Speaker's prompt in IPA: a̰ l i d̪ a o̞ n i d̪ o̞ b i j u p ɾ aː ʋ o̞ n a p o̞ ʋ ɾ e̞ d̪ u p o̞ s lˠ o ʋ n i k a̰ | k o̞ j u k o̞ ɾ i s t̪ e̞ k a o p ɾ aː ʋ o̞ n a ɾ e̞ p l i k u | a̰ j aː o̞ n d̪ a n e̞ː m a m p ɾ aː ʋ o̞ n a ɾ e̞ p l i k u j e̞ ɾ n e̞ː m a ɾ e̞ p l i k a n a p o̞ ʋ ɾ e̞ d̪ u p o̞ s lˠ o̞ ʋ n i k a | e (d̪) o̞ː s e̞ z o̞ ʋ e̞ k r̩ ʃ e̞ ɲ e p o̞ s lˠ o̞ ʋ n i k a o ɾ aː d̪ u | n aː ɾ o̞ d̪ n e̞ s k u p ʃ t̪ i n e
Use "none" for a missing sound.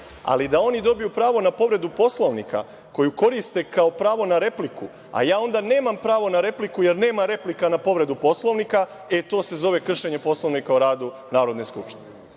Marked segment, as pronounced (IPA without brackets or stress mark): t̪